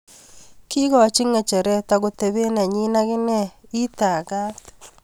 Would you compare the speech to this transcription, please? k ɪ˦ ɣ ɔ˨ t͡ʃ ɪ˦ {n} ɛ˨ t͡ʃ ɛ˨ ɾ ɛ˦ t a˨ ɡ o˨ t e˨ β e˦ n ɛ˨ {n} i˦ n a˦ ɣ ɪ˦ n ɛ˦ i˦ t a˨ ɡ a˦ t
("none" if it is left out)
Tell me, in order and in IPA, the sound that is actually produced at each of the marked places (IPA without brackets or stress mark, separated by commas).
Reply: ŋ, ɲ